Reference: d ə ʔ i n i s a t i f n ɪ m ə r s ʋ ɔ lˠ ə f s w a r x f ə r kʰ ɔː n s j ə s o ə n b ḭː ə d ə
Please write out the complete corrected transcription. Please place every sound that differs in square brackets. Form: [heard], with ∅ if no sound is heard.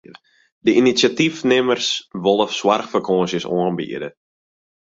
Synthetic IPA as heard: d ə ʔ i n i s a t i f n ɪ m ə r s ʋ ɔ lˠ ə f s w a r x f ə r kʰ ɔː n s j ə s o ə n b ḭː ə d ə